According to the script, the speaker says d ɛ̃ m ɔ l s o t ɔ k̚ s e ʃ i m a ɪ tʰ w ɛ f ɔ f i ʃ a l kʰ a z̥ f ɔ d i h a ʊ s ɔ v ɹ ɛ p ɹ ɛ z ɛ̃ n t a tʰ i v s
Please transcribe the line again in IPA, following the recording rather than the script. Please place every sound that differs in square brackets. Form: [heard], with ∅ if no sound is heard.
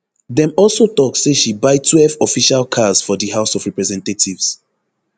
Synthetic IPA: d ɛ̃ m ɔ l s o t ɔ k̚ s e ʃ i [b] a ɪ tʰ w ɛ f ɔ f i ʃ a l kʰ a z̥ f ɔ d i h a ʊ s ɔ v ɹ ɛ p ɹ ɛ z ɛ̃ n t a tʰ i v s